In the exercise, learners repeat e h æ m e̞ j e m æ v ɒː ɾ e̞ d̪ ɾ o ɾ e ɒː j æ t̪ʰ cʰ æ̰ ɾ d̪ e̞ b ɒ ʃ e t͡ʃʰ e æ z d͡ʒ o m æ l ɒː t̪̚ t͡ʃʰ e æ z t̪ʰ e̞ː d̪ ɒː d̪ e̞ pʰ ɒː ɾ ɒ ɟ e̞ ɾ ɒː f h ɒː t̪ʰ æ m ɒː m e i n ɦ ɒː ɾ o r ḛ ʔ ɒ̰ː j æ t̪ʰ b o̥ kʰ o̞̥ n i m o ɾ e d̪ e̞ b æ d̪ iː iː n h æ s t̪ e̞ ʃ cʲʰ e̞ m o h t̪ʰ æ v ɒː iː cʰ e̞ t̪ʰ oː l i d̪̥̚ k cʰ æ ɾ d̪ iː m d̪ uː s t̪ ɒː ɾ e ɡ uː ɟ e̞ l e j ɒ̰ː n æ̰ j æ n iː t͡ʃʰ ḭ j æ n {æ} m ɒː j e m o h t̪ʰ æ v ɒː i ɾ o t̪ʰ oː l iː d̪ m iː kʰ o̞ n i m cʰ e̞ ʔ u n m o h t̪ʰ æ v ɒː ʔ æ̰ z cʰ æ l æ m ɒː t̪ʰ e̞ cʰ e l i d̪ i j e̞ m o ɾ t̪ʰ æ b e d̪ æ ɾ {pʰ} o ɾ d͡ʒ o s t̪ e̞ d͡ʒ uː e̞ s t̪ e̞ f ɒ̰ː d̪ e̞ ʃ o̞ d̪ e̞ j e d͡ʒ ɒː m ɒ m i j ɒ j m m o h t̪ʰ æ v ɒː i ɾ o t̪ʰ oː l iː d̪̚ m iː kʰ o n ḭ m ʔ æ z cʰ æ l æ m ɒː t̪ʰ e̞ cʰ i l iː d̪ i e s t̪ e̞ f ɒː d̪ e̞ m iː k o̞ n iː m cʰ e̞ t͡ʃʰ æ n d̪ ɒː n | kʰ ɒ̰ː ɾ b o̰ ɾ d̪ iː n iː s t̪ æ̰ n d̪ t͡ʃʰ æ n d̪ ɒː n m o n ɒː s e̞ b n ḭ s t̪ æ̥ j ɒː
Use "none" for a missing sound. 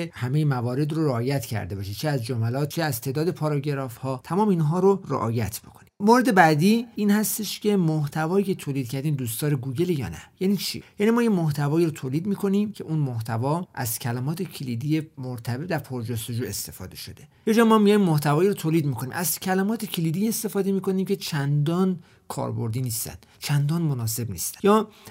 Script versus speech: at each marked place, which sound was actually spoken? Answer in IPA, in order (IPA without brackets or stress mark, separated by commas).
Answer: i, pʰ